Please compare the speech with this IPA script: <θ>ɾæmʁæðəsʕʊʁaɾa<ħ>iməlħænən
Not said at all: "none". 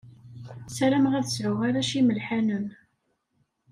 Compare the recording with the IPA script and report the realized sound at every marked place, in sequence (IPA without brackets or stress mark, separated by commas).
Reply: s, ʃ